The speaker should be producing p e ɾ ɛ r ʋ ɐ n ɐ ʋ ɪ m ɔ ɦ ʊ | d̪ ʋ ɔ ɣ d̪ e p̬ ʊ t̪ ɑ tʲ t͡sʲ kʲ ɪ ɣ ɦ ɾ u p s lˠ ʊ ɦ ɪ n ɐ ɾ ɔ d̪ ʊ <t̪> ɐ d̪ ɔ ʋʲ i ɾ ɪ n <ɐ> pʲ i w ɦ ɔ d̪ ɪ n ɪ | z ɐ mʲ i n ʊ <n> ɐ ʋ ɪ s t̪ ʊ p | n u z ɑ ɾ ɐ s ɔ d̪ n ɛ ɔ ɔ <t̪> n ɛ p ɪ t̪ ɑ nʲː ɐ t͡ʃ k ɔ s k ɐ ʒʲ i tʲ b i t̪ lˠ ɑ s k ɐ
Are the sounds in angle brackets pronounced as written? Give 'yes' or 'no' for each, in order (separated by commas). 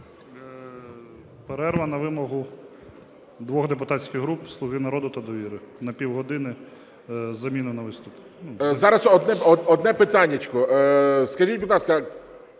yes, yes, yes, no